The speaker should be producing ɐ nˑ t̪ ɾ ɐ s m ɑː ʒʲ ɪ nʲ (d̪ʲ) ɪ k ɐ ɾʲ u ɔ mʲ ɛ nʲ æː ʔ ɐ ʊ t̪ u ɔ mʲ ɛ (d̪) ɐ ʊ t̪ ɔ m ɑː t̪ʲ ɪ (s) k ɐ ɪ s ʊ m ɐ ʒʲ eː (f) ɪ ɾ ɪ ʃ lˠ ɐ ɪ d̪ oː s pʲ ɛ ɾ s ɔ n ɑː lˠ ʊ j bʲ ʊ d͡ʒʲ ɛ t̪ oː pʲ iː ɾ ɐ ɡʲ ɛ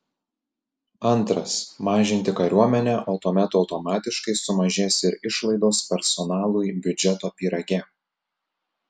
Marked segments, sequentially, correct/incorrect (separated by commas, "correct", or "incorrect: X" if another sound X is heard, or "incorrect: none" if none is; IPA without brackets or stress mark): incorrect: t̪ʲ, incorrect: t̪, incorrect: ʃ, incorrect: s